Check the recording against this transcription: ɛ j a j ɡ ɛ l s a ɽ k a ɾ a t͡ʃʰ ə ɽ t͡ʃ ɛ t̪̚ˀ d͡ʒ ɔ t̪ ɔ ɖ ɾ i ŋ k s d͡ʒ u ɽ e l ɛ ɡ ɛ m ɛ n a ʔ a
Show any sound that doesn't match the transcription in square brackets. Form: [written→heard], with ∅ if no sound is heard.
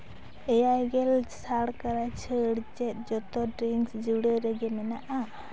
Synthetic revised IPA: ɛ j a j ɡ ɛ l s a ɽ k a ɾ a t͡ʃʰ ə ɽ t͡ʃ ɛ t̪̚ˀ d͡ʒ ɔ t̪ ɔ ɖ ɾ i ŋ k s d͡ʒ u ɽ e [l→ɾ] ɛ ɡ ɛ m ɛ n a ʔ a